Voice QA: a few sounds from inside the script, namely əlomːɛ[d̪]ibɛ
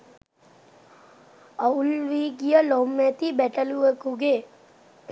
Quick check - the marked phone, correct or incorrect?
incorrect